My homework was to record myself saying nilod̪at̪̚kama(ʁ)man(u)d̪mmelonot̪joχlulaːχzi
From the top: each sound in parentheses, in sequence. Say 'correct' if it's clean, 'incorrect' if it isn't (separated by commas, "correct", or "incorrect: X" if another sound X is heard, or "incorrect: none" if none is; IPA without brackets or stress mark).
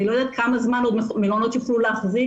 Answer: incorrect: z, incorrect: o